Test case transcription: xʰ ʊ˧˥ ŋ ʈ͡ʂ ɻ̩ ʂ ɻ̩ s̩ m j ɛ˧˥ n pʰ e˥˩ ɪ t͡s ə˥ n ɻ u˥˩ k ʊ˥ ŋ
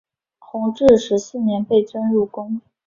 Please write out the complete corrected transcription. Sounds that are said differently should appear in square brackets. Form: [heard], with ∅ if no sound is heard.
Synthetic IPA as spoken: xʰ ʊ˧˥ ŋ ʈ͡ʂ ɻ̩ ʂ ɻ̩ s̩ [n] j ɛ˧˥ n [p] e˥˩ ɪ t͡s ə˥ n ɻ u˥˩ k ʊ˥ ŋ